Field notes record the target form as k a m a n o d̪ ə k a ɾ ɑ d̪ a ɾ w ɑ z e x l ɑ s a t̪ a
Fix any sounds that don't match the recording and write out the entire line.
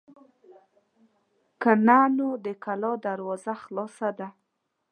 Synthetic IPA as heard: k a n a n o d̪ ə k a l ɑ d̪ a ɾ w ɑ z a x l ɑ s a d̪ a